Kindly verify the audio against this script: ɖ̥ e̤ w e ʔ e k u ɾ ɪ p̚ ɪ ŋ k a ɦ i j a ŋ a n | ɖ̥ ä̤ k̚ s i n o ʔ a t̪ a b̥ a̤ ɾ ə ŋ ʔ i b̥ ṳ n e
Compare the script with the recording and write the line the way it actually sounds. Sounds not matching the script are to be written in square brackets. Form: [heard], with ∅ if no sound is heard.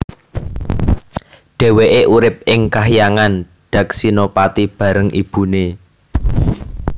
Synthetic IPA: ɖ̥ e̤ w e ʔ e [ʔ] u ɾ ɪ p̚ ɪ ŋ k a ɦ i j a ŋ a n | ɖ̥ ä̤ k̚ s i n o [p] a t̪ [i] b̥ a̤ ɾ ə ŋ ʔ i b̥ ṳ n e